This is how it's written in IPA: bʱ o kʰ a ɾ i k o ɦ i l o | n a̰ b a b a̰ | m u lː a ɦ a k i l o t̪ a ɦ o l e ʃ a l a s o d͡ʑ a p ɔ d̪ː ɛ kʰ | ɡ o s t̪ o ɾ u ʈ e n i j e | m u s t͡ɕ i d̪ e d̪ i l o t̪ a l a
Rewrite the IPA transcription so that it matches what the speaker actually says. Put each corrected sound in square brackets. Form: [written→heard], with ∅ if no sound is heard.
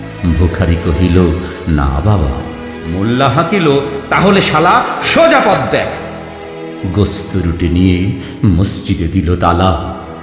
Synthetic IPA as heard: bʱ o kʰ a ɾ i k o ɦ i l o | n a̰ b a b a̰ | m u lː a ɦ a k i l o t̪ a ɦ o l e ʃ a l a [s→ʃ] o d͡ʑ a p ɔ d̪ː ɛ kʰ | ɡ o s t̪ o ɾ u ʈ e n i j e | m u s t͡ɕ i d̪ e d̪ i l o t̪ a l a